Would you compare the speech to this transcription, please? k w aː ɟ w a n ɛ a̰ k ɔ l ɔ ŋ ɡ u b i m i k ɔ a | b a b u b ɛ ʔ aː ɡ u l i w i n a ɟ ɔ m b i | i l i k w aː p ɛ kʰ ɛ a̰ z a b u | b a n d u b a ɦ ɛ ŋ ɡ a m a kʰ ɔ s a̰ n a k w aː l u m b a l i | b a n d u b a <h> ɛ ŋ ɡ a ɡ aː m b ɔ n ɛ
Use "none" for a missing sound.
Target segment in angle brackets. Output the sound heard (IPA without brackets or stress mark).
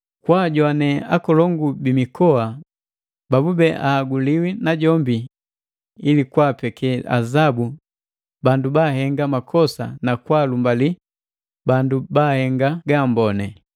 h